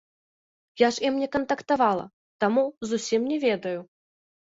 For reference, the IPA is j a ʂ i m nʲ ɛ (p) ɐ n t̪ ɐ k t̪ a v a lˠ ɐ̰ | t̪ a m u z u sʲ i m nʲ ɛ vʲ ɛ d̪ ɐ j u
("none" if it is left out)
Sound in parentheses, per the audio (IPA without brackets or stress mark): k